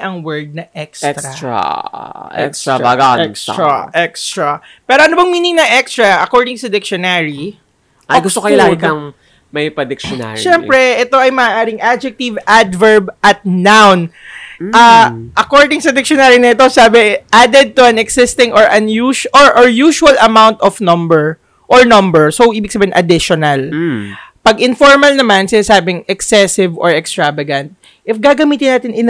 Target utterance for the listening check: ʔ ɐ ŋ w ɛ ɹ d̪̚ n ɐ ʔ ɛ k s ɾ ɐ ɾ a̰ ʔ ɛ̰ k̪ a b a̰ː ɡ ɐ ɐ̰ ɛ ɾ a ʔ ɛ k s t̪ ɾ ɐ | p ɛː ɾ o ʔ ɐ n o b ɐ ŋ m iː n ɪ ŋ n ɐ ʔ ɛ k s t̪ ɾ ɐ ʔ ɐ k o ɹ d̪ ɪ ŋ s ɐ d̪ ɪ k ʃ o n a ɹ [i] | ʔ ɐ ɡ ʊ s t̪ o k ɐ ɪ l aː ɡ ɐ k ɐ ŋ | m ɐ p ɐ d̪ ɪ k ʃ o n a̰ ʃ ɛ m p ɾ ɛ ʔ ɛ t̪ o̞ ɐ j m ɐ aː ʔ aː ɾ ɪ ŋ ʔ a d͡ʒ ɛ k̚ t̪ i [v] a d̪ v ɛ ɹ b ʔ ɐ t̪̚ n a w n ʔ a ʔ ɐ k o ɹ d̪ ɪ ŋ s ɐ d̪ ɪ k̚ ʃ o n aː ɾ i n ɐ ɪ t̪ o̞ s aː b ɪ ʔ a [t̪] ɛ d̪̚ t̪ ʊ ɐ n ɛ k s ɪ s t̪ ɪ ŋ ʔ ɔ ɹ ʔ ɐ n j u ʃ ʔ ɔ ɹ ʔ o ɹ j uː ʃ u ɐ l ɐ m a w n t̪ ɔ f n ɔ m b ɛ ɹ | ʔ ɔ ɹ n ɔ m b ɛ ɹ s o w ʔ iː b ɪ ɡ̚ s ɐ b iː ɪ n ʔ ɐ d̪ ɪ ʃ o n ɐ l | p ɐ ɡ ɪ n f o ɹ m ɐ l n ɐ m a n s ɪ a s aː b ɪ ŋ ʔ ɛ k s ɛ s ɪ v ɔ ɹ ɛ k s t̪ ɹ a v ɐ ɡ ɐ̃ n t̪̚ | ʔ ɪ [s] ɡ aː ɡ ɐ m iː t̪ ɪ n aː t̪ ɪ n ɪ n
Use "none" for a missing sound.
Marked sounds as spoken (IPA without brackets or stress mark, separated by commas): i, v, d̪, f